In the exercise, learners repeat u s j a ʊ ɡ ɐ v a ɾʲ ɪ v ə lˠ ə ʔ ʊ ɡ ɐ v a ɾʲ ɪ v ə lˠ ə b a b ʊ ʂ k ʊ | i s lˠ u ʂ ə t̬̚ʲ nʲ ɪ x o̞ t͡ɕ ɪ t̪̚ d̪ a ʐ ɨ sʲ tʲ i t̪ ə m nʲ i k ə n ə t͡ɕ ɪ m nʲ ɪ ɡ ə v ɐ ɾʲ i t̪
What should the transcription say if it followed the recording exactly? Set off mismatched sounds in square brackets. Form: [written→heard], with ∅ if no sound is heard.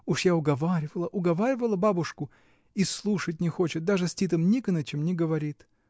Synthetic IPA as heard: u [s→ʂ] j a ʊ ɡ ɐ v a ɾʲ ɪ v ə lˠ ə ʔ ʊ ɡ ɐ v a ɾʲ ɪ v ə lˠ ə b a b ʊ ʂ k ʊ | i s lˠ u ʂ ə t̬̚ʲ nʲ ɪ x o̞ t͡ɕ ɪ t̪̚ d̪ a ʐ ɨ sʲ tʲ i t̪ ə m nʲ i k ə n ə t͡ɕ ɪ m nʲ ɪ ɡ ə v ɐ ɾʲ i t̪